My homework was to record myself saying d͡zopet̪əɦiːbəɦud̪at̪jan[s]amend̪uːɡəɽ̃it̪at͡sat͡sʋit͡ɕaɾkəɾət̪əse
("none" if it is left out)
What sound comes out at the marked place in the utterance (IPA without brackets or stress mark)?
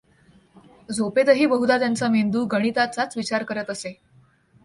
t͡s